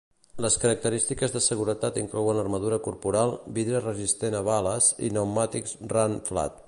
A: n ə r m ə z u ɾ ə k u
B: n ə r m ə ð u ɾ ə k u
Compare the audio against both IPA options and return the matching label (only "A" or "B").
B